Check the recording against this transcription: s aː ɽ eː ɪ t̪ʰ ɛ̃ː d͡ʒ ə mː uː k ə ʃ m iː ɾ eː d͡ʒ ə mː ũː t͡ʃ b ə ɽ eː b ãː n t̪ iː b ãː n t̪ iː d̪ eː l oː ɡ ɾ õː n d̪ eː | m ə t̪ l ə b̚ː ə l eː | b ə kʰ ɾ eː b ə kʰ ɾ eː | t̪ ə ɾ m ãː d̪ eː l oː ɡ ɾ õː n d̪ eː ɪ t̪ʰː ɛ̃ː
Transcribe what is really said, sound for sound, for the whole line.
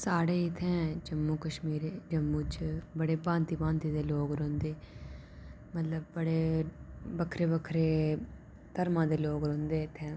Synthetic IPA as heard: s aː ɽ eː ɪ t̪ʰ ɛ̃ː d͡ʒ ə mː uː k ə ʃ m iː ɾ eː d͡ʒ ə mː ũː t͡ʃ b ə ɽ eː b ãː n t̪ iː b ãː n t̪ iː d̪ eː l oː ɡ ɾ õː n d̪ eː | m ə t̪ l ə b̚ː ə ɽ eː | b ə kʰ ɾ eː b ə kʰ ɾ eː | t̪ ə ɾ m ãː d̪ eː l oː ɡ ɾ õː n d̪ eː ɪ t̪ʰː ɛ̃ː